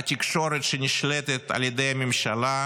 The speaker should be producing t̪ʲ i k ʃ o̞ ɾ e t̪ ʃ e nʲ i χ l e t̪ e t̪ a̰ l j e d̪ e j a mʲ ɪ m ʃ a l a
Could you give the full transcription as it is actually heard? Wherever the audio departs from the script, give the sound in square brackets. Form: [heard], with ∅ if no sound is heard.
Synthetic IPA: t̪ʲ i k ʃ o̞ ɾ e t̪ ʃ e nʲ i [ʃ] l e t̪ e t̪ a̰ l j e d̪ e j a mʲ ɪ m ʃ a l a